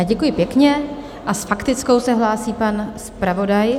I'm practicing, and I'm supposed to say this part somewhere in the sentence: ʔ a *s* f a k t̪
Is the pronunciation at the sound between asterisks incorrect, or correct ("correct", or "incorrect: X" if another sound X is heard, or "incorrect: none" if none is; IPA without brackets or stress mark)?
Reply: correct